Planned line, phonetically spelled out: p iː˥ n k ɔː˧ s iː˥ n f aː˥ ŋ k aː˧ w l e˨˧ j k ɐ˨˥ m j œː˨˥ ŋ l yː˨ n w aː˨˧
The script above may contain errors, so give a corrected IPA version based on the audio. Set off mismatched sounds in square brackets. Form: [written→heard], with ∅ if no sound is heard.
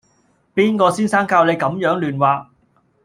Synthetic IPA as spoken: p iː˥ n k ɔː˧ s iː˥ n [f→s] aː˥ ŋ k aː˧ w l e˨˧ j k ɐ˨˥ m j œː˨˥ ŋ l yː˨ n w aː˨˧